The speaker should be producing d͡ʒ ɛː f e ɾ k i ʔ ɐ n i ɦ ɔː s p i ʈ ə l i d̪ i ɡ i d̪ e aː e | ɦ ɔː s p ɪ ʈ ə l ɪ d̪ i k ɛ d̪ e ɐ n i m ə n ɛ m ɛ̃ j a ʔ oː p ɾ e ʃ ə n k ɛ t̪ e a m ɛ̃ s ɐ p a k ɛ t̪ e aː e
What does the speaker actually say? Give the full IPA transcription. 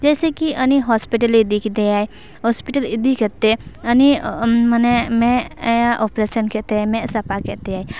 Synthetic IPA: d͡ʒ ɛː s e k i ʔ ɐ n i ɦ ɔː s p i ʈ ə l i d̪ i k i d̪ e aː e | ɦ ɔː s p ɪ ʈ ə l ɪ d̪ i k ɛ t̪ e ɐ n i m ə n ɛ m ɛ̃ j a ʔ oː p ɾ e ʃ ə n k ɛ t̪ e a m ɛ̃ s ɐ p a k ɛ t̪ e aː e